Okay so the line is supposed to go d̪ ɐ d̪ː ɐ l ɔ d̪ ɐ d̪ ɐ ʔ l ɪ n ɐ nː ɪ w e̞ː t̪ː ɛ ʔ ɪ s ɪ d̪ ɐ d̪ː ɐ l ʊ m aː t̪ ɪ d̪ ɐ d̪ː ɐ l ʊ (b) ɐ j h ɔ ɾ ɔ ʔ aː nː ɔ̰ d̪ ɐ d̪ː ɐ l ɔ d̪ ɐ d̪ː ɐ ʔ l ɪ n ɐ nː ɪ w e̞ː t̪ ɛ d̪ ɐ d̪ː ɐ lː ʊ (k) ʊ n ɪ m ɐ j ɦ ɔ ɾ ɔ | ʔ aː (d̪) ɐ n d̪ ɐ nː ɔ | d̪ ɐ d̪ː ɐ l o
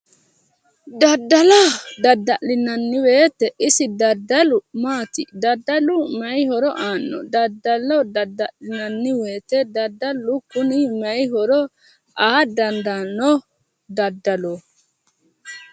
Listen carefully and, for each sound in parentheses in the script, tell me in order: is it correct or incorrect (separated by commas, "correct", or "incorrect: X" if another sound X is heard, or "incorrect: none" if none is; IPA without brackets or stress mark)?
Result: incorrect: m, correct, correct